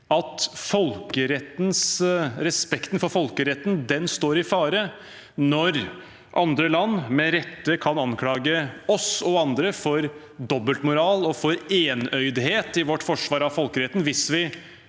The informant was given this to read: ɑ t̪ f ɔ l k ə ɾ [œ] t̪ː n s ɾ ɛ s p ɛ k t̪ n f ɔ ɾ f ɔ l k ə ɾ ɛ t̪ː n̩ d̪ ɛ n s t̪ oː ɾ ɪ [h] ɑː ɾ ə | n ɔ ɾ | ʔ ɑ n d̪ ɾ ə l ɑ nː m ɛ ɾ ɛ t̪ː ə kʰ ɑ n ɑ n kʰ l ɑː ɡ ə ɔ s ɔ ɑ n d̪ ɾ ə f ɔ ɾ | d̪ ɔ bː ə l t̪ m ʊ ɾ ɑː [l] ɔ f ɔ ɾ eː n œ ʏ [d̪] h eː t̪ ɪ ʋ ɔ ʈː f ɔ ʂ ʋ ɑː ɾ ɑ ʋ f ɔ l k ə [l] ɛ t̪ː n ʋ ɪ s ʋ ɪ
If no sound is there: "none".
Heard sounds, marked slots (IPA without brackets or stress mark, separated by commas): ɛ, f, l, d̪, ɾ